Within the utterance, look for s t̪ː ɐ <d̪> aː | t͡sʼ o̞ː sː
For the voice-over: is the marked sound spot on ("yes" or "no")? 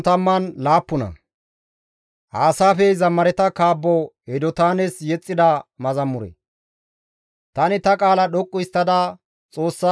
yes